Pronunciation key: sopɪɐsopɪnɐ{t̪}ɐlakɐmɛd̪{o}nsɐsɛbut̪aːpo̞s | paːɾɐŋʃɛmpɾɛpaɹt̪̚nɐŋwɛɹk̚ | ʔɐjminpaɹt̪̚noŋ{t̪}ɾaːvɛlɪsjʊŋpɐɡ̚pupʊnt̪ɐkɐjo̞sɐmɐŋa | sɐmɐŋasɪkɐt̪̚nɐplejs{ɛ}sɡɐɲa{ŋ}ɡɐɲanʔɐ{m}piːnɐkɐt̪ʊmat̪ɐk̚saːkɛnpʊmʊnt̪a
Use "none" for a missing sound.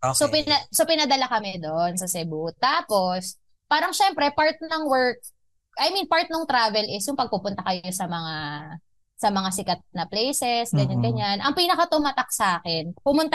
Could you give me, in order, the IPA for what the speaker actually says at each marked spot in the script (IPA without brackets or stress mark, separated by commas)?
d̪, o, t̪, ɛ, n, ŋ